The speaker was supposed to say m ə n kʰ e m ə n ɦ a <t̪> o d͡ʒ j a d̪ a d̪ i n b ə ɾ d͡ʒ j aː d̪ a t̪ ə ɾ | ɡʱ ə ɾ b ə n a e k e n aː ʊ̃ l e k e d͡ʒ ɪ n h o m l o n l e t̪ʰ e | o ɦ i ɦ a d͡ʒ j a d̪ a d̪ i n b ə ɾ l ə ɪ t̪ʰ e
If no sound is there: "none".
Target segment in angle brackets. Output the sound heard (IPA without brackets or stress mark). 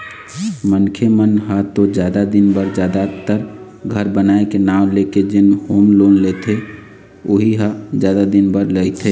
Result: t̪